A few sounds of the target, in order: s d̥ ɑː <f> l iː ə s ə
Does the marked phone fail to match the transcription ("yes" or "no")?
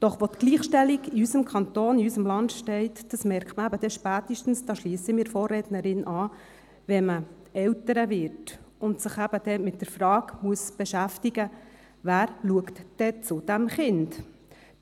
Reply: yes